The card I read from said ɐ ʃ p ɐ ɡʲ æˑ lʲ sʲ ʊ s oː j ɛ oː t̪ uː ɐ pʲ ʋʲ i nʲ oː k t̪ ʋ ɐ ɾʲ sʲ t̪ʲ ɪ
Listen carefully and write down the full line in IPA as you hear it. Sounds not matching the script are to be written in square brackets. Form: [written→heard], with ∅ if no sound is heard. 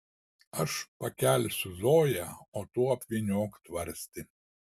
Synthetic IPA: ɐ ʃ p ɐ [ɡʲ→kʲ] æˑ lʲ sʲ ʊ [s→z] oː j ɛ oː t̪ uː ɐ pʲ ʋʲ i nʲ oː k t̪ ʋ ɐ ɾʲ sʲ t̪ʲ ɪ